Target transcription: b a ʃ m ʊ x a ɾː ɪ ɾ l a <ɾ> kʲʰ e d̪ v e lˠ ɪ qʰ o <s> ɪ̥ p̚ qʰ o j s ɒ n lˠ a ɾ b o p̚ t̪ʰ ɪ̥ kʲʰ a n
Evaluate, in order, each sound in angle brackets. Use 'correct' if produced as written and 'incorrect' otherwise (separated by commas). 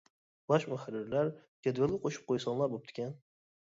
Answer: correct, incorrect